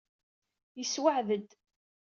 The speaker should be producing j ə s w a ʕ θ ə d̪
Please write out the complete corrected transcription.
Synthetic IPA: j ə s w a ʕ ð ə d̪